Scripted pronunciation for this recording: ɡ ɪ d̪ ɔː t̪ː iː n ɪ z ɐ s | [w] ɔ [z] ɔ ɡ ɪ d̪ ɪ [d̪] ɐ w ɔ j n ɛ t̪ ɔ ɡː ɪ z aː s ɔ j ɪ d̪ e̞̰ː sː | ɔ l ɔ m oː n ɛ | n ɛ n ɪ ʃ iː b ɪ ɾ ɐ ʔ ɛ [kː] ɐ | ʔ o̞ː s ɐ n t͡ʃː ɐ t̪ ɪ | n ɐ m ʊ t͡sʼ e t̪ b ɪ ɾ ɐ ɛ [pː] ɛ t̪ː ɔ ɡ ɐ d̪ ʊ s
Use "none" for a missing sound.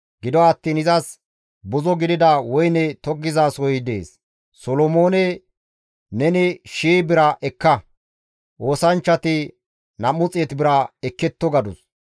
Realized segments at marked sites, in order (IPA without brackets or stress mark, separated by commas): b, z, d̪, kː, kː